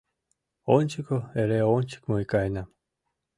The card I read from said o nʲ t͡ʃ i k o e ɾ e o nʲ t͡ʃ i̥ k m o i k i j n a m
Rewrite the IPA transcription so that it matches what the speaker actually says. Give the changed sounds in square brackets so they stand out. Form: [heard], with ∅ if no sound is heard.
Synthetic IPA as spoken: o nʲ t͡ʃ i k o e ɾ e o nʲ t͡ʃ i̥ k m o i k [a] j n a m